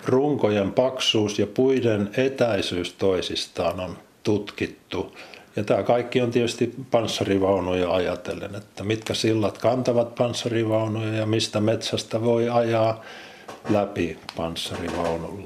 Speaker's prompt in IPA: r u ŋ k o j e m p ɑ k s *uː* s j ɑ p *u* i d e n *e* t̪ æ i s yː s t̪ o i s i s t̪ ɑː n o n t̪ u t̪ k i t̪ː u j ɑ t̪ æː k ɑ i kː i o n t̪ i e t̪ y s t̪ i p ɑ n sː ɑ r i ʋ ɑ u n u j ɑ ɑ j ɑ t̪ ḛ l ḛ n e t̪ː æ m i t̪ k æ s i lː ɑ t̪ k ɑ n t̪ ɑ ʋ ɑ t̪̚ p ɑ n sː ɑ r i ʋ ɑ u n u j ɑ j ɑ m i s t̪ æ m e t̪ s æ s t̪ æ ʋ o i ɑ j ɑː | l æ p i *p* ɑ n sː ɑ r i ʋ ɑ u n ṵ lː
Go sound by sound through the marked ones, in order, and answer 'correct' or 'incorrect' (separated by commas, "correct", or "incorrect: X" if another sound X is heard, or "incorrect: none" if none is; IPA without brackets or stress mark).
correct, correct, correct, correct